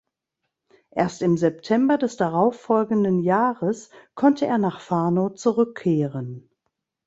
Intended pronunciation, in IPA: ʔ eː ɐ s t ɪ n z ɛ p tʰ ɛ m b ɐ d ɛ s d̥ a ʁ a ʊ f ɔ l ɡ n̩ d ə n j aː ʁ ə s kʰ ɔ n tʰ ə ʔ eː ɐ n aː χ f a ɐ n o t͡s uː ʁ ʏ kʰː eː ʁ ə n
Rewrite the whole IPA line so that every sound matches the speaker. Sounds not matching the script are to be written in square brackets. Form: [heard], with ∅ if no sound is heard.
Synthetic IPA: ʔ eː ɐ s t ɪ [m] z ɛ p tʰ ɛ m b ɐ d ɛ s d̥ a ʁ a ʊ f ɔ l ɡ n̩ d ə n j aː ʁ ə s kʰ ɔ n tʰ ə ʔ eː ɐ n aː χ f a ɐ n o t͡s [u] ʁ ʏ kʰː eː ʁ ə n